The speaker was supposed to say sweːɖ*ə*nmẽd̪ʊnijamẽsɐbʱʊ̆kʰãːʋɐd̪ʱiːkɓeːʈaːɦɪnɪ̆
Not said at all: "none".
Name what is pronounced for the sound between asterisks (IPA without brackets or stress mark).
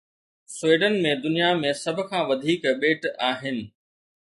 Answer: ə